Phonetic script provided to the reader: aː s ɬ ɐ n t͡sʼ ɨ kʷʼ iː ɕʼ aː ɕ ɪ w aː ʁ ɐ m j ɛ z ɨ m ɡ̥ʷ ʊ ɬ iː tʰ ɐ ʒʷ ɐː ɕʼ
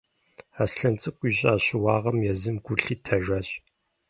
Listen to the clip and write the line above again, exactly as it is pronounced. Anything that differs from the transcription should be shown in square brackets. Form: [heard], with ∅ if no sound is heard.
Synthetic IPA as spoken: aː s ɬ ɐ n t͡sʼ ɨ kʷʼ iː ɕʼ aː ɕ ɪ w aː ʁ ɐ m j ɛ z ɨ m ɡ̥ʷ ʊ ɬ iː tʰ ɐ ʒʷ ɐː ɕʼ